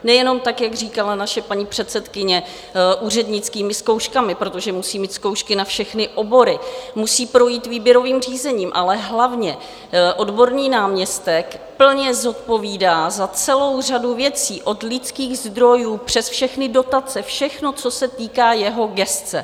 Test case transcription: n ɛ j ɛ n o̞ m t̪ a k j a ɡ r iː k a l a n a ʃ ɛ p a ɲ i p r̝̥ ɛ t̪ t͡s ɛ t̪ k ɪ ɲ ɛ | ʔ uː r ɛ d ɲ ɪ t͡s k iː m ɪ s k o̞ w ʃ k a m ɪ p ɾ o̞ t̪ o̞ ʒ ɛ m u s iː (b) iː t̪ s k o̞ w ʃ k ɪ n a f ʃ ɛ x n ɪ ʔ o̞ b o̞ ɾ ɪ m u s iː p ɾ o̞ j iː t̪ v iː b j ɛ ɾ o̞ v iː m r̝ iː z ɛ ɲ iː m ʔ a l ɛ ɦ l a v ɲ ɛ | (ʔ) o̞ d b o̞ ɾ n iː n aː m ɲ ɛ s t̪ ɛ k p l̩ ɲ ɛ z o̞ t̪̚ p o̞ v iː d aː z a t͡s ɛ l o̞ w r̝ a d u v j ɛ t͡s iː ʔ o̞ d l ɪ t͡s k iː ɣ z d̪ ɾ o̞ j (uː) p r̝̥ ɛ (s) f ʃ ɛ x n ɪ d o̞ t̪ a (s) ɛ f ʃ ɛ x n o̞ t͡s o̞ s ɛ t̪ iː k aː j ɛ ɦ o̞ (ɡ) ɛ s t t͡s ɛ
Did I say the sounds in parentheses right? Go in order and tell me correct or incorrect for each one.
incorrect: m, correct, correct, correct, incorrect: t͡s, correct

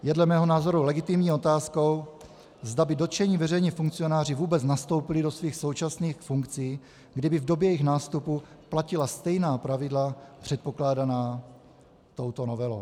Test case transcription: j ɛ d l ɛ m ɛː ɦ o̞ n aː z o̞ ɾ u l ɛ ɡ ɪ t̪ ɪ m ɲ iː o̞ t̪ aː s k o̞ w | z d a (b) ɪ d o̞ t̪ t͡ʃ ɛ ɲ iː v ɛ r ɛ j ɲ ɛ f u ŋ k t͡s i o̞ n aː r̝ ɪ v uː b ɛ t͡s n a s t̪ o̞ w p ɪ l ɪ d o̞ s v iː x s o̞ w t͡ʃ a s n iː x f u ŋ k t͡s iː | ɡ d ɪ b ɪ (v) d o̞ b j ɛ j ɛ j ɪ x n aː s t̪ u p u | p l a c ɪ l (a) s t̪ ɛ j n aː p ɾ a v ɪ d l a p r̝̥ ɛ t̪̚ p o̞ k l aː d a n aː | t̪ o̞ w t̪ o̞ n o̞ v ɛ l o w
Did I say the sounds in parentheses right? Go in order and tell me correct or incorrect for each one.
correct, correct, correct

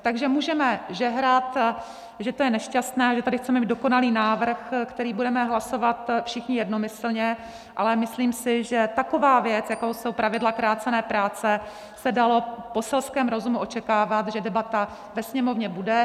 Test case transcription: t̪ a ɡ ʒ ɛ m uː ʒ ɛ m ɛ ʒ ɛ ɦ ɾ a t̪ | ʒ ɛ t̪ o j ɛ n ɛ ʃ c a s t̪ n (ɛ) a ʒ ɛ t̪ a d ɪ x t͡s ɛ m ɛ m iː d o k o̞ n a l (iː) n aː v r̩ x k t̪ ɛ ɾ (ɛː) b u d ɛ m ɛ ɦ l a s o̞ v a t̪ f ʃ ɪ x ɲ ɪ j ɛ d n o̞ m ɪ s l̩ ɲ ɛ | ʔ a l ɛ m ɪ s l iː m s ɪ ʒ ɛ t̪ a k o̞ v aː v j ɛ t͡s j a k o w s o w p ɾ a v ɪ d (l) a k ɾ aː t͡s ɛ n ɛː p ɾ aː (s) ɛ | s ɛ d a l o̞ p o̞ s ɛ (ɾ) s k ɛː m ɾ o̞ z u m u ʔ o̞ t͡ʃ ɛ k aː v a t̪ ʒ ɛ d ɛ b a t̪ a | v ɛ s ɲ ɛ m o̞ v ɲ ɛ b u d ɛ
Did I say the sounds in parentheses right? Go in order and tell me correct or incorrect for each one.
incorrect: ɛː, correct, incorrect: iː, correct, incorrect: t͡s, incorrect: l

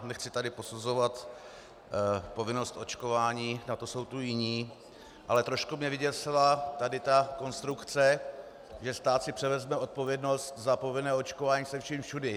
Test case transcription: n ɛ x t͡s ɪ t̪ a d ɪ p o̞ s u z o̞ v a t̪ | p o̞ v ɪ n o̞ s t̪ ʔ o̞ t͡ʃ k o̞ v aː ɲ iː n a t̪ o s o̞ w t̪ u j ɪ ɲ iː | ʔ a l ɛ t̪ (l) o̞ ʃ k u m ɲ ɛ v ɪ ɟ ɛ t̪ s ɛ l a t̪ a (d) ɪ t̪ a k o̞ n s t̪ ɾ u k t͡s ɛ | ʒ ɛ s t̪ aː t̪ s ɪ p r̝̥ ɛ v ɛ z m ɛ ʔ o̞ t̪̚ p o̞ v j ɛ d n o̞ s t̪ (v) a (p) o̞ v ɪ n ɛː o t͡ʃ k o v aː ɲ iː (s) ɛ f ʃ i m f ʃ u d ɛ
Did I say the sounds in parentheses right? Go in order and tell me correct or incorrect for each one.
incorrect: ɾ, correct, incorrect: z, correct, correct

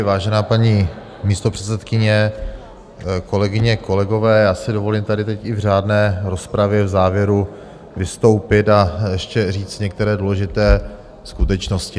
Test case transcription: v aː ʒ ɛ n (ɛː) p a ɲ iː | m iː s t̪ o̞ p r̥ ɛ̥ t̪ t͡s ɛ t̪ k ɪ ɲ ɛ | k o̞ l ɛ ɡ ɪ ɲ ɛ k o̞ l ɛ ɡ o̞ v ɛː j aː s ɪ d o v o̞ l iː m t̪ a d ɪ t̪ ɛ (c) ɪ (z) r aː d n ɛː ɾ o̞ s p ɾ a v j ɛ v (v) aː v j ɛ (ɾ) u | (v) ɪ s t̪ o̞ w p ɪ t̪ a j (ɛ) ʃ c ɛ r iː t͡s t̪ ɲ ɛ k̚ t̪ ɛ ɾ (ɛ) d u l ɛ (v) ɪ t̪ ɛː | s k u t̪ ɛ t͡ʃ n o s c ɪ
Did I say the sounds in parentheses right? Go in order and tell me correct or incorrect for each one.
incorrect: aː, correct, incorrect: v, incorrect: z, correct, correct, correct, incorrect: ɛː, incorrect: ʒ

